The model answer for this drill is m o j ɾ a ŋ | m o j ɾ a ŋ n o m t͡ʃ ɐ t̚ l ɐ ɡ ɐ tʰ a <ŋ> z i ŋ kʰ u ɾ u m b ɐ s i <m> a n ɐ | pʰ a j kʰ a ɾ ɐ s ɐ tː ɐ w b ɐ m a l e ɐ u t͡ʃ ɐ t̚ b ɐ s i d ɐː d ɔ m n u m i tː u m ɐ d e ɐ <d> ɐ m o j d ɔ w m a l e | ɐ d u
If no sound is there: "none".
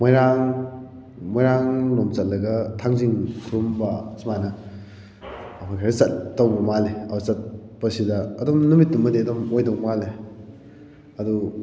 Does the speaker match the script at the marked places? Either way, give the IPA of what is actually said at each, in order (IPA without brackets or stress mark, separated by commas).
ŋ, m, d